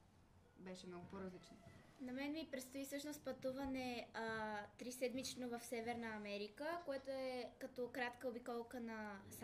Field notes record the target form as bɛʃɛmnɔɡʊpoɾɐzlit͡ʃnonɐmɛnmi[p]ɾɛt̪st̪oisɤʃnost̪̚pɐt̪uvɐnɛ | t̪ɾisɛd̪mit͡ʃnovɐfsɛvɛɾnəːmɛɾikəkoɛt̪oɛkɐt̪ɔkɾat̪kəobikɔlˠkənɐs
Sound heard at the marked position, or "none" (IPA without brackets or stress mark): p